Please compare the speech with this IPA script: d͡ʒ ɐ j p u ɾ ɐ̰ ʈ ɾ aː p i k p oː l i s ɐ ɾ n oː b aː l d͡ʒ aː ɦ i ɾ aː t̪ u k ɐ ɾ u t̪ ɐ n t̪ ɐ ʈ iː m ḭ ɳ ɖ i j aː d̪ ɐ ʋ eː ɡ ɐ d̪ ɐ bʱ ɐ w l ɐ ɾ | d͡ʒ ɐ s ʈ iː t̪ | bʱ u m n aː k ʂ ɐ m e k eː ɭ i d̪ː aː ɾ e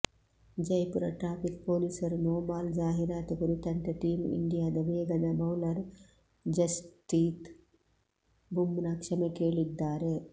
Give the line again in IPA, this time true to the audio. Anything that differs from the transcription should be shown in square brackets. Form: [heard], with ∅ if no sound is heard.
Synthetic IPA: d͡ʒ ɐ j p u ɾ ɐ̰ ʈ ɾ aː p i k p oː l i s ɐ ɾ n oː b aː l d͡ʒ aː ɦ i ɾ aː t̪ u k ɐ ɾ u t̪ ɐ n t̪ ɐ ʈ iː m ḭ ɳ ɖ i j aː d̪ ɐ ʋ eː ɡ ɐ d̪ ɐ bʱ ɐ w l ɐ ɾ | d͡ʒ ɐ s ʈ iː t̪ | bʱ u m n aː k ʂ ɐ m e k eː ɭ i d̪ː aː ɾ e